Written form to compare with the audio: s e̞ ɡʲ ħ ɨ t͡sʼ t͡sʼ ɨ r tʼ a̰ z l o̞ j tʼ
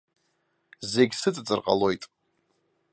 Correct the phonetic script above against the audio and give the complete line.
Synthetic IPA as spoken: z e̞ ɡʲ s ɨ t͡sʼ t͡sʼ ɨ r qʼ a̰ l o̞ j tʼ